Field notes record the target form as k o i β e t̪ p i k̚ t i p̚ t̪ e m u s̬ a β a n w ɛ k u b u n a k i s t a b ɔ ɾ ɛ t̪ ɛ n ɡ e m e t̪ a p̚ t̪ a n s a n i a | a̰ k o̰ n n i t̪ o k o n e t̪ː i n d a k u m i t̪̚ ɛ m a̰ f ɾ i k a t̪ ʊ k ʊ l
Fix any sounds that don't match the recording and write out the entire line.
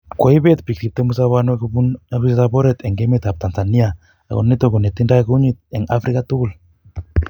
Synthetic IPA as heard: k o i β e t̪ p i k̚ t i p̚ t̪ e m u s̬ a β a n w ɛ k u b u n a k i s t a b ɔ ɾ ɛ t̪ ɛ ŋ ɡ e m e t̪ a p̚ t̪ a n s a n i a | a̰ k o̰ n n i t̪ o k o n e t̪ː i n d a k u ɲ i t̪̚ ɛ ŋ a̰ f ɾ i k a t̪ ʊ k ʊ l